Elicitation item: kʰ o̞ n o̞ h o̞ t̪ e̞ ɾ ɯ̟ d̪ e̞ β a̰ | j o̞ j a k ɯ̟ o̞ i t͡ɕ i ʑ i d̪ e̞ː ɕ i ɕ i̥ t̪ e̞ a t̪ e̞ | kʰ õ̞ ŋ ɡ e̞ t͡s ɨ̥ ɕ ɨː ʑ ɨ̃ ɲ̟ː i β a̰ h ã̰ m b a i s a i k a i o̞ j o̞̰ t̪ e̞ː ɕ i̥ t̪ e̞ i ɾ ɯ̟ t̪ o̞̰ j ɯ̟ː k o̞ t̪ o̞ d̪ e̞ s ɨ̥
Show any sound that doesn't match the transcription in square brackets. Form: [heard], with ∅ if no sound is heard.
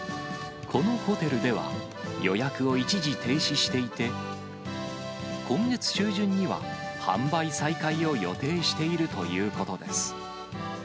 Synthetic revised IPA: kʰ o̞ n o̞ h o̞ t̪ e̞ ɾ ɯ̟ d̪ e̞ β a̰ | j o̞ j a k ɯ̟ o̞ i t͡ɕ i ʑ i [t̪] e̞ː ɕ i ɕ i̥ t̪ e̞ [i] t̪ e̞ | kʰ õ̞ ŋ ɡ e̞ t͡s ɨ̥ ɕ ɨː ʑ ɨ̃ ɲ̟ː i β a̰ h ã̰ m b a i s a i k a i o̞ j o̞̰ t̪ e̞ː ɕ i̥ t̪ e̞ i ɾ ɯ̟ t̪ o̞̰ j ɯ̟ː k o̞ t̪ o̞ d̪ e̞ s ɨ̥